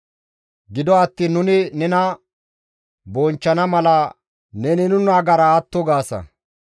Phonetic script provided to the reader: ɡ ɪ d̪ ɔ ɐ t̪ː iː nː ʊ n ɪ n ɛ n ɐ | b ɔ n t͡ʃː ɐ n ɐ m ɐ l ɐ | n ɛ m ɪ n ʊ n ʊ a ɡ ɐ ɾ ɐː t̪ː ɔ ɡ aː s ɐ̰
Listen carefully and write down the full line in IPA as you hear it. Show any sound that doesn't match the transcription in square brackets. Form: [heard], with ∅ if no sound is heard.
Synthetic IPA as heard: ɡ ɪ d̪ ɔ ɐ t̪ː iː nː ʊ n ɪ n ɛ n ɐ | b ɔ n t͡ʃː ɐ n ɐ m ɐ l ɐ | n ɛ [n] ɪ n ʊ n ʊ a ɡ ɐ ɾ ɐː t̪ː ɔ ɡ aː s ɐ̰